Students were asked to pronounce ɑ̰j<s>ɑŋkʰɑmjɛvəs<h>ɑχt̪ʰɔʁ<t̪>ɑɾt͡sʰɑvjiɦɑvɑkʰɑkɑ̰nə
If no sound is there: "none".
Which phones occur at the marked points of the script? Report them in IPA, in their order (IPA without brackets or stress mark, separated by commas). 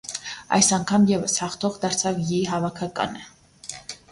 s, h, d̪